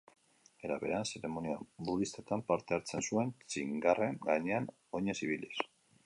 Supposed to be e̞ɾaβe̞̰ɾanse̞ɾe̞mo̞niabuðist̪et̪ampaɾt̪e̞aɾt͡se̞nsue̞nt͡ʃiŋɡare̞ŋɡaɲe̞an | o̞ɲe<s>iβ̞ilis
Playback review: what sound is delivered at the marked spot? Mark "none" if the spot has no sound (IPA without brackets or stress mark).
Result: s